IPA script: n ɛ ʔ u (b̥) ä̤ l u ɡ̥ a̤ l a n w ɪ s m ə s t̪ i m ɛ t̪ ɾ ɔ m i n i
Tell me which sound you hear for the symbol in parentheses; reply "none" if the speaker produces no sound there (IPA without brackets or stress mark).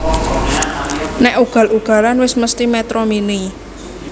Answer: ɡ̥